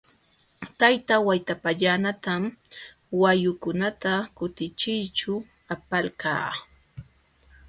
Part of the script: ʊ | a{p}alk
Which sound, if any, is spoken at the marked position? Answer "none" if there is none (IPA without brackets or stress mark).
p